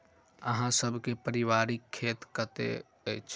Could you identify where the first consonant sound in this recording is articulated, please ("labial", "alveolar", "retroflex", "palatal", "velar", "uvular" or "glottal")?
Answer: glottal